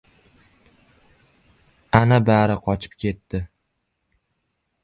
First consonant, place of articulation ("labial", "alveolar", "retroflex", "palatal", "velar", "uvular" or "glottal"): alveolar